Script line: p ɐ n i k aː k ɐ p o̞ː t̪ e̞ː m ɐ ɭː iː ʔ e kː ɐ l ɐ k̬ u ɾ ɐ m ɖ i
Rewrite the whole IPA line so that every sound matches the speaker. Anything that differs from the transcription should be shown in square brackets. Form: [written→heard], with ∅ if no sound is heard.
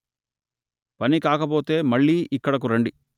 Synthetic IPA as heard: p ɐ n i k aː k ɐ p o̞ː t̪ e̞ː m ɐ ɭː iː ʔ [e→i] kː ɐ [l→ɽ] ɐ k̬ u ɾ ɐ [m→ɳ] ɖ i